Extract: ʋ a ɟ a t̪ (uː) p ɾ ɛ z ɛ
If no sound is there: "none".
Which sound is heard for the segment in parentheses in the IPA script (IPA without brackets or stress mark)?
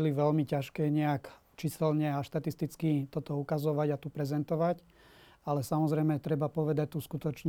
u